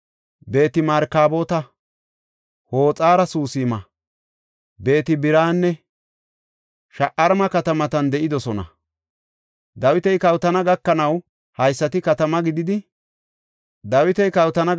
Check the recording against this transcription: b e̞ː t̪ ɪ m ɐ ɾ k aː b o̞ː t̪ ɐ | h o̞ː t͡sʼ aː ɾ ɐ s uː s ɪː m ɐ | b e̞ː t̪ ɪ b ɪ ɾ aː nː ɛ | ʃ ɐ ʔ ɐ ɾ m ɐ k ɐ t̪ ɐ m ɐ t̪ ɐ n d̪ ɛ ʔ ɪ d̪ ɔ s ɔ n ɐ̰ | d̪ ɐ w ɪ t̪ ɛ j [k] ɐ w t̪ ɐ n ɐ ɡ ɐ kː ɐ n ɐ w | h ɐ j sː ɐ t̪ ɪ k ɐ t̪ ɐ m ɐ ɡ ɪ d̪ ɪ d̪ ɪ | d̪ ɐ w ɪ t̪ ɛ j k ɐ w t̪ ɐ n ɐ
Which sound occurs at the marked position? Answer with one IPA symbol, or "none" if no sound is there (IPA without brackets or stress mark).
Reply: k